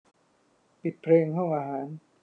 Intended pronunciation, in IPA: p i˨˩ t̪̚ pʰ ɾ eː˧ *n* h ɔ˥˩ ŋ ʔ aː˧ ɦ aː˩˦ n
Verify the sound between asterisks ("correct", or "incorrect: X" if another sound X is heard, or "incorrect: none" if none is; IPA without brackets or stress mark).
incorrect: ŋ